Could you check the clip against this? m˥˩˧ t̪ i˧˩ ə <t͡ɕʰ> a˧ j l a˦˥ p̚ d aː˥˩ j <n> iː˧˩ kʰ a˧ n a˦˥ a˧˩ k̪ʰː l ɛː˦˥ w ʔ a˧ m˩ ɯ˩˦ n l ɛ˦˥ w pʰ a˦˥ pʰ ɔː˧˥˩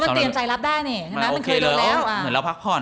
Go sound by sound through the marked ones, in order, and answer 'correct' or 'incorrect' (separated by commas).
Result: incorrect, correct